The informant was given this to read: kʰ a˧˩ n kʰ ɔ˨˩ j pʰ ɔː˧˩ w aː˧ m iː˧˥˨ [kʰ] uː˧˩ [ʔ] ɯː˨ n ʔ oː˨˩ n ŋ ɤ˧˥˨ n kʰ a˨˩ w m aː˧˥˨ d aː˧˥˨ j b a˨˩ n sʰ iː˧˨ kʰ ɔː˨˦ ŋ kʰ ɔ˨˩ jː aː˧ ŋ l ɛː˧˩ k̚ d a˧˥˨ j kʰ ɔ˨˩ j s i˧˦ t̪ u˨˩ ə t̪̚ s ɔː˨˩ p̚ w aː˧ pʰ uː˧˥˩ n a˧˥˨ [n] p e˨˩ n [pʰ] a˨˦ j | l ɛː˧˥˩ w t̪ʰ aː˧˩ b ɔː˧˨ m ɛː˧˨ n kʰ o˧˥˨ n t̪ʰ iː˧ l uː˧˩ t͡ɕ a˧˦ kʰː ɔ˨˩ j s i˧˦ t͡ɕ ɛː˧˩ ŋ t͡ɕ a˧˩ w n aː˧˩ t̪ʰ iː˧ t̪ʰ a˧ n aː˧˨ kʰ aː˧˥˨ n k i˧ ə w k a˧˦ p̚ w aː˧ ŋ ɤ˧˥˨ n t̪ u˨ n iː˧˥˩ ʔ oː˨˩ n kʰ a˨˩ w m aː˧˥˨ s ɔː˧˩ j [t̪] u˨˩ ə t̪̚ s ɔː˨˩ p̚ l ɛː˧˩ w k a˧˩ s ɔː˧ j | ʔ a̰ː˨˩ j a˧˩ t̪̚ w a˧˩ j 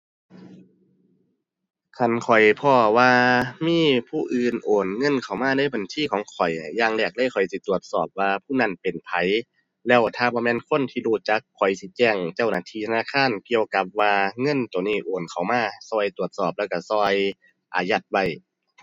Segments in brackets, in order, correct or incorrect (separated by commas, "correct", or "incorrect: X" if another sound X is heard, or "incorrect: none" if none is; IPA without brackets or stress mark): incorrect: pʰ, correct, correct, correct, correct